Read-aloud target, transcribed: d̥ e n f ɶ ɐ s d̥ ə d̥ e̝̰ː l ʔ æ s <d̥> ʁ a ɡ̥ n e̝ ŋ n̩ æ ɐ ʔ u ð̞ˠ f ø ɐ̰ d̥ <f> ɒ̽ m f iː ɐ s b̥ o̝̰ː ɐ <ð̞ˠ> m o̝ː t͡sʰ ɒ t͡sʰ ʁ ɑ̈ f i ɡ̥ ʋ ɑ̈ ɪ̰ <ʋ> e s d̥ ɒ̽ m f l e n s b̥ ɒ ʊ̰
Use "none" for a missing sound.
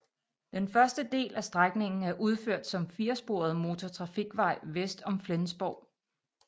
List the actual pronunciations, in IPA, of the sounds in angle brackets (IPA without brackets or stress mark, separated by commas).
d̥, s, ð̞ˠ, ʋ